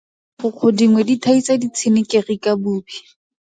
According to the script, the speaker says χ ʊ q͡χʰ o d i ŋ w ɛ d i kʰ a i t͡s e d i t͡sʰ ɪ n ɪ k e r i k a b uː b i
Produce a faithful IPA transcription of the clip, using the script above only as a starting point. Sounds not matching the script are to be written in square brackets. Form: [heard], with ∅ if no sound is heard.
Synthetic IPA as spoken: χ ʊ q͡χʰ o d i ŋ w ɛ d i [tʰ] a i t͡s [a] d i t͡sʰ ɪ n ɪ k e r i k a b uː b i